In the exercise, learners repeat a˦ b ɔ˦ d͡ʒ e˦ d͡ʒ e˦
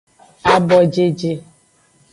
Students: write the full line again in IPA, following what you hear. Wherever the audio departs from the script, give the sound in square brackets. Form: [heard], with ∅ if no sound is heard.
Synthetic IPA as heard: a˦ b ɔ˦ d͡ʒ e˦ d͡ʒ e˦

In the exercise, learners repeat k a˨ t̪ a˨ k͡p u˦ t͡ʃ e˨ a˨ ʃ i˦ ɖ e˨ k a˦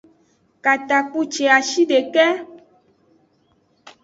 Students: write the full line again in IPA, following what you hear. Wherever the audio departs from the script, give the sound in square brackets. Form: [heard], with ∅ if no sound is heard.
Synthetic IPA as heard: k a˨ t̪ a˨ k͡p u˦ t͡ʃ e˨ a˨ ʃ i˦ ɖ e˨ k [ɛ˦]

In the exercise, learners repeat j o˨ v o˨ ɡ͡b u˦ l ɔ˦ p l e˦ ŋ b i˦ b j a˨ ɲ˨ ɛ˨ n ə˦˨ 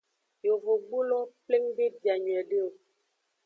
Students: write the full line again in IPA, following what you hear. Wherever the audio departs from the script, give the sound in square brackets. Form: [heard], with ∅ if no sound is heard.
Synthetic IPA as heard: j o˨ v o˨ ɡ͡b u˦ l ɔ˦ p l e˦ ŋ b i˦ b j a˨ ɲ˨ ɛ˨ [d] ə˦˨

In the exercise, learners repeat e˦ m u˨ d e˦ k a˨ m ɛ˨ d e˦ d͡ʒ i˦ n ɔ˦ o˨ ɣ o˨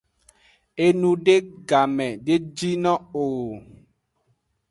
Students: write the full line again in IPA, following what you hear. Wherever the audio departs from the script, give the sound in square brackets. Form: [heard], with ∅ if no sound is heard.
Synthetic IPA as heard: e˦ [n] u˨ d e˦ [ɡ] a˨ m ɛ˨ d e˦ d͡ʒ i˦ n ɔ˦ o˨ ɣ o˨

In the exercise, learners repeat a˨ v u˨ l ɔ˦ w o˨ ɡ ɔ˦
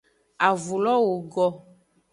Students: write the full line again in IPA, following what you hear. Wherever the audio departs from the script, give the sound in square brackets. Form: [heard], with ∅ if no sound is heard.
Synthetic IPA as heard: a˨ v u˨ l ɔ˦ w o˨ ɡ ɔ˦

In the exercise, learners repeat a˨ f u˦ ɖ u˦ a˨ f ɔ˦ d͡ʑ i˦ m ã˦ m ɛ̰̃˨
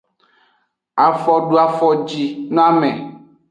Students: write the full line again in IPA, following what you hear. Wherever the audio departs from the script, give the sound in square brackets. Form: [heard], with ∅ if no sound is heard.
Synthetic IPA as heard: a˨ f [ɔ˦] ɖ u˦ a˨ f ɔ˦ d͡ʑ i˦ [n] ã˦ m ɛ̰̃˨

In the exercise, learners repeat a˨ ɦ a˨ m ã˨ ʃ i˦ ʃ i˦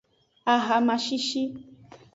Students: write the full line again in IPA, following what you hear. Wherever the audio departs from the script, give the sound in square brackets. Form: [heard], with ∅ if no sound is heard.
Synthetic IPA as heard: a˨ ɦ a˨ m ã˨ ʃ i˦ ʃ i˦

